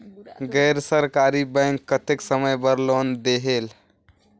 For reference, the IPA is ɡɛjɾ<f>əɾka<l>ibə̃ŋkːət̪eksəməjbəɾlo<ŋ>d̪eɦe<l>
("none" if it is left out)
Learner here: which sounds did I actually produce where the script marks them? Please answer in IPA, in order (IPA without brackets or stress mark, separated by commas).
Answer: s, ɾ, n, l